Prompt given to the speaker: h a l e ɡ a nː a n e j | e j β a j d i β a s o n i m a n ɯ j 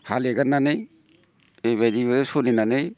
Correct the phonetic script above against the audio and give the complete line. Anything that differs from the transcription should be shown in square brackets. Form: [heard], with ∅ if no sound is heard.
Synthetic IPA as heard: h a l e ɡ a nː a n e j | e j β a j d i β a s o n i [n] a n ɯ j